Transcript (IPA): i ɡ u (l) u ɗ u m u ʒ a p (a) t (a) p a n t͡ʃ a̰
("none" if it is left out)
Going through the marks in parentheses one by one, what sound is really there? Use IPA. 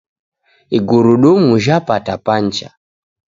ɾ, a, a

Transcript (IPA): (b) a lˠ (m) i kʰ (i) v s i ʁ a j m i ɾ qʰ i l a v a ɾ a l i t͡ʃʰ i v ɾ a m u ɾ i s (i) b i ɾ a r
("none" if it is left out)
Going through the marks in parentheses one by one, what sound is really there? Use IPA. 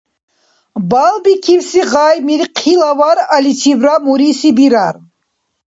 b, b, i, i

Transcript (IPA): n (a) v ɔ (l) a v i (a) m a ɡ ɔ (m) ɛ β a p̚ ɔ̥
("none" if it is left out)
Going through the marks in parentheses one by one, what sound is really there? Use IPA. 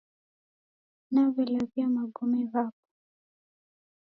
a, l, a, m

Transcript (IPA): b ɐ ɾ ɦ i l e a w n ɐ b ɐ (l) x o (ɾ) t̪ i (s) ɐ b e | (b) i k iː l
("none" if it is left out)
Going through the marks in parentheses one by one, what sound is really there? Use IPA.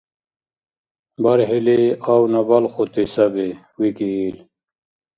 l, none, s, w

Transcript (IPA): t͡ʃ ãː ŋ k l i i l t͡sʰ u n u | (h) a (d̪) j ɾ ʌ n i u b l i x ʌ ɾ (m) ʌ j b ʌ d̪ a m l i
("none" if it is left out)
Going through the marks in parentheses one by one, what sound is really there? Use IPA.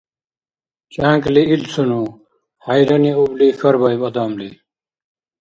h, none, b

